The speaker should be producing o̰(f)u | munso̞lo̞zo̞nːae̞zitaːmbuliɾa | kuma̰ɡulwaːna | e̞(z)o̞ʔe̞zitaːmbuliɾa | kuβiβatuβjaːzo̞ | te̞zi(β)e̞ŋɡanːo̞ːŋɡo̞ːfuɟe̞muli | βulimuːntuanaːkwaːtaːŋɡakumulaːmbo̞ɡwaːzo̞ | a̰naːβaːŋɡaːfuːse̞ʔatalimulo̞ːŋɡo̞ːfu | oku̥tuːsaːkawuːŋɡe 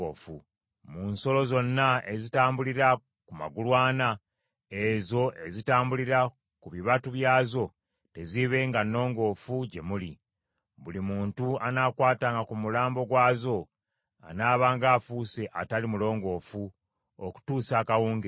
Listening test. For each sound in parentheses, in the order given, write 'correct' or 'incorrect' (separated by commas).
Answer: correct, correct, correct